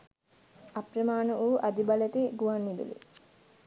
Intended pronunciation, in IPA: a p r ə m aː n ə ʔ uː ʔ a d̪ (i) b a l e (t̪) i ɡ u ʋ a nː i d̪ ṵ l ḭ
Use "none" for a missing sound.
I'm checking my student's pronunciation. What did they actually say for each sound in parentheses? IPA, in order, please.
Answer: i, t̪

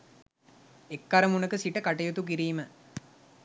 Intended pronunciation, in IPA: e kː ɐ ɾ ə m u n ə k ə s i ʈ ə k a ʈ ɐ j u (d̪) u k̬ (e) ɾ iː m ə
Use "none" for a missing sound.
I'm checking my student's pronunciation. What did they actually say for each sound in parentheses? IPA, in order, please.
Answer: t̪, i

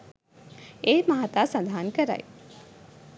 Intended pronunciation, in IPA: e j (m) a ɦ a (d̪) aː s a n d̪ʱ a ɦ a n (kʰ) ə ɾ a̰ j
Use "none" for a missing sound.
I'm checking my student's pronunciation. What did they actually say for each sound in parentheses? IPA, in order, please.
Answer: m, t̪, k

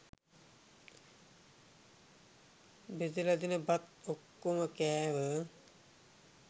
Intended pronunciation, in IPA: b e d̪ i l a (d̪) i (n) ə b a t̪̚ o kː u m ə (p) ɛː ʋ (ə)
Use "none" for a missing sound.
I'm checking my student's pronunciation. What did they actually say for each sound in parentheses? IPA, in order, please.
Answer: d̪, n, k, ə

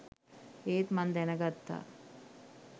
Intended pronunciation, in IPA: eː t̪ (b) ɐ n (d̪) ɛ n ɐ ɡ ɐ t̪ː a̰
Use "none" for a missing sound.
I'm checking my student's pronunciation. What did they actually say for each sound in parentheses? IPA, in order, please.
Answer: m, d̪

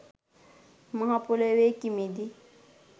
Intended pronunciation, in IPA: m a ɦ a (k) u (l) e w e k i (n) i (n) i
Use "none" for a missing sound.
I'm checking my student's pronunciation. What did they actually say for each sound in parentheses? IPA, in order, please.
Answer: p, l, m, d

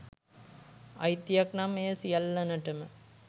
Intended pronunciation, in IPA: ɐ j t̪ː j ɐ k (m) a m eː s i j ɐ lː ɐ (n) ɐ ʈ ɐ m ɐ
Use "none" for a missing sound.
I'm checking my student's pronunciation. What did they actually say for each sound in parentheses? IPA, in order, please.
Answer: n, n

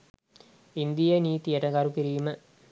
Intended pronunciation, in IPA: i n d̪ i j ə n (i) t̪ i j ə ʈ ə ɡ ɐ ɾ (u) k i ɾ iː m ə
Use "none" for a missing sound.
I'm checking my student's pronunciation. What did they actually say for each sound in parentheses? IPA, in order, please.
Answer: iː, u

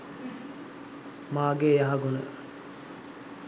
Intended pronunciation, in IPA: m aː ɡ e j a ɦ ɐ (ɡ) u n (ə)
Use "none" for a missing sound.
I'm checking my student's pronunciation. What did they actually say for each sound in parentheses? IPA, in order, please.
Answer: ɡ, ə

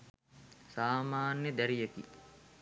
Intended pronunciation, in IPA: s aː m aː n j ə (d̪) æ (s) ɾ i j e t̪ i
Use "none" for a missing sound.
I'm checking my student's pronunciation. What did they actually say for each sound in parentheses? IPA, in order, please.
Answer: d̪, none

